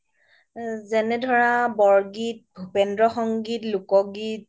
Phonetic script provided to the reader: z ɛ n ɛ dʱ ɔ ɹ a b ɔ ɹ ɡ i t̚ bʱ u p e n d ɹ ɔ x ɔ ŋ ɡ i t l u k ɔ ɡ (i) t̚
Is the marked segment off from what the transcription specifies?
no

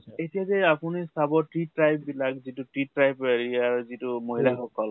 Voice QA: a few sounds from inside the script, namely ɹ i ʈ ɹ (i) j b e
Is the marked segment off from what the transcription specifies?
yes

